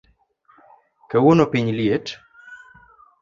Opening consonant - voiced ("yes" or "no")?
no